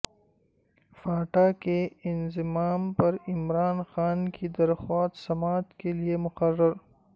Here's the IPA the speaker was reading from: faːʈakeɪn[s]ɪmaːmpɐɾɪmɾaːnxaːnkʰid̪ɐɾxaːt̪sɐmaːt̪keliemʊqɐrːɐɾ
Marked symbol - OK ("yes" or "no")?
no